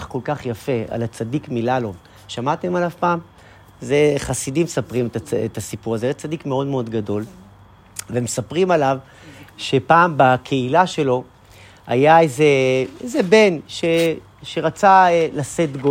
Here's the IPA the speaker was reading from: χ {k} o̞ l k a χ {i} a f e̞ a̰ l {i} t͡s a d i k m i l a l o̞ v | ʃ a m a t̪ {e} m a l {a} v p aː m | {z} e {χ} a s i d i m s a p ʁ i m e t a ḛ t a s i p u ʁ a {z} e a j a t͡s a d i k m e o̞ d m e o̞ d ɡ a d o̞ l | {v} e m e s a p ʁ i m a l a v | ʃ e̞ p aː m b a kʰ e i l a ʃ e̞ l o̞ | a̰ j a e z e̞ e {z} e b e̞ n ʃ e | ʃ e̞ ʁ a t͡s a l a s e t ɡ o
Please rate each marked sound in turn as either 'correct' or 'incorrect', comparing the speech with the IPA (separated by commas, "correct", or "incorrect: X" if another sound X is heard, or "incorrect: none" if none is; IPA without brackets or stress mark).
correct, incorrect: j, incorrect: a, correct, correct, correct, correct, correct, correct, correct